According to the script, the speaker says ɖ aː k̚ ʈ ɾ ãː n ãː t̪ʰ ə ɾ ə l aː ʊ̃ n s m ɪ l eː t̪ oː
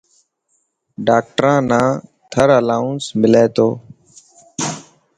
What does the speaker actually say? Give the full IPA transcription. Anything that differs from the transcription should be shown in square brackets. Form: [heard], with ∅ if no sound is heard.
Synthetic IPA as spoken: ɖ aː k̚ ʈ ɾ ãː n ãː t̪ʰ ə ɾ ə l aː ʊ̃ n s m ɪ l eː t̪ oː